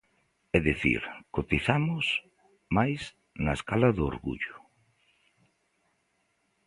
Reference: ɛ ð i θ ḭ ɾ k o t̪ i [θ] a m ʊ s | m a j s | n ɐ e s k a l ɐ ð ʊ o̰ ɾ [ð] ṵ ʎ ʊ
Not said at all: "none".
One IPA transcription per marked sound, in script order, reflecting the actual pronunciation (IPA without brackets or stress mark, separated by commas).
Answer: θ, ɣ